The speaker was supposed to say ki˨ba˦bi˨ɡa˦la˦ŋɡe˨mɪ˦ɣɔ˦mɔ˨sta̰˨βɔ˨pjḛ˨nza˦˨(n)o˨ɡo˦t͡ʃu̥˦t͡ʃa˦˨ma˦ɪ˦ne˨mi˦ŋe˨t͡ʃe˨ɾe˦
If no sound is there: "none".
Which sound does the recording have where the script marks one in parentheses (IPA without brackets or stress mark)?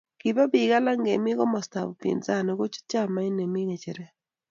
n